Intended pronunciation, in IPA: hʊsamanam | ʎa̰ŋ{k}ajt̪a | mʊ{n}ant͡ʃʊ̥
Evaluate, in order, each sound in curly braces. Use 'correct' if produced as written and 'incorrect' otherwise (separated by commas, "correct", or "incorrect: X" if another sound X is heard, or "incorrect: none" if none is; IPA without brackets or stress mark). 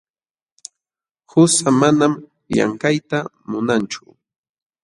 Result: correct, correct